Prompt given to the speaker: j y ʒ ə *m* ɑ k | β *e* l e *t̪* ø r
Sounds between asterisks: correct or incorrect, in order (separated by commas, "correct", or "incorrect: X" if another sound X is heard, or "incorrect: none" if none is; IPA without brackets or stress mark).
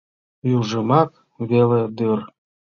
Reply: correct, correct, incorrect: d̪